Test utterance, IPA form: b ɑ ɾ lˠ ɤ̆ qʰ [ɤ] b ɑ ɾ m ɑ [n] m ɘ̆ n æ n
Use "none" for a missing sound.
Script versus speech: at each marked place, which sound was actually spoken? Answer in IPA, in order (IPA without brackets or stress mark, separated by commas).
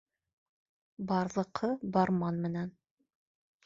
ɤ, n